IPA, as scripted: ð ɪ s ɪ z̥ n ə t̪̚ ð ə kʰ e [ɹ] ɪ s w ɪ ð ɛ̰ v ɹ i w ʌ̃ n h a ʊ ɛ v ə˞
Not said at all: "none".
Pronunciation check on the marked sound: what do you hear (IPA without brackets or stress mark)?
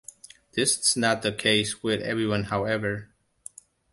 none